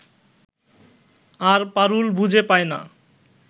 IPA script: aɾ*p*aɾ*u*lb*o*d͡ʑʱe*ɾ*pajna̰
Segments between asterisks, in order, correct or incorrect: correct, correct, incorrect: u, incorrect: none

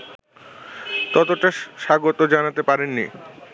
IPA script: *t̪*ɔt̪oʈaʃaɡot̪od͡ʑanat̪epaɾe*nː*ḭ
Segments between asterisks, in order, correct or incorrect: correct, correct

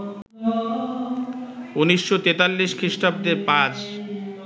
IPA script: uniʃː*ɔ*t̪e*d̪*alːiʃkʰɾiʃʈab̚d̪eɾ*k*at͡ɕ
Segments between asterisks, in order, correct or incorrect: incorrect: o, incorrect: t̪, incorrect: p

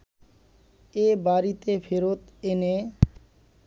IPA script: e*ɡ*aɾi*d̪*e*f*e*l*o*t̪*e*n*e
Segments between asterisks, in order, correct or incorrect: incorrect: b, incorrect: t̪, correct, incorrect: ɾ, correct, correct

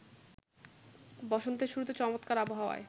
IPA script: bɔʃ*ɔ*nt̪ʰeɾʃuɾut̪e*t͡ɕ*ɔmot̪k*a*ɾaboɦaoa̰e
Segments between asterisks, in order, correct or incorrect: incorrect: o, correct, correct

